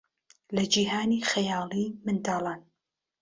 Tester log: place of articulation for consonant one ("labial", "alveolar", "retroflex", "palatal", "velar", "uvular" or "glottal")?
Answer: alveolar